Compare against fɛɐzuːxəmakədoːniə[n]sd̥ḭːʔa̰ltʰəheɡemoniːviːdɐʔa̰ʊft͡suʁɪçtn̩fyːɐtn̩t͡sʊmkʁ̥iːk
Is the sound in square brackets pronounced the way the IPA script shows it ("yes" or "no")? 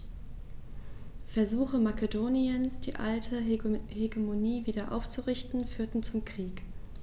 yes